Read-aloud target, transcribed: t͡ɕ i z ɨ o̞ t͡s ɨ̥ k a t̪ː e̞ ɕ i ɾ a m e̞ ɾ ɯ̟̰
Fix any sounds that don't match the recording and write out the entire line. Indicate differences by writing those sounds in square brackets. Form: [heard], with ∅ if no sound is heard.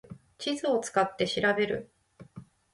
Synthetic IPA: t͡ɕ i z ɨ o̞ t͡s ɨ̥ k a t̪ː e̞ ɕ i ɾ a [b] e̞ ɾ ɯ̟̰